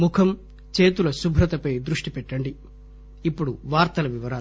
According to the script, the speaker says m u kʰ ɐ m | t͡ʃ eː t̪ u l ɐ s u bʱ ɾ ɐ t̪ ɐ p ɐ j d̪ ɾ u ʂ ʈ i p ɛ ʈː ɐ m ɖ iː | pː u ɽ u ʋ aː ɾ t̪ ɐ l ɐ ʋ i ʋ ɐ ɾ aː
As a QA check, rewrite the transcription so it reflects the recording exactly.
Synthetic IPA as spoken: m u kʰ ɐ m | t͡ʃ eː t̪ u l ɐ s u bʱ ɾ ɐ t̪ ɐ p ɐ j d̪ ɾ u ʂ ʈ i p ɛ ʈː ɐ ɳ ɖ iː | pː u ɽ u ʋ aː ɾ t̪ ɐ l ɐ ʋ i ʋ ɐ ɾ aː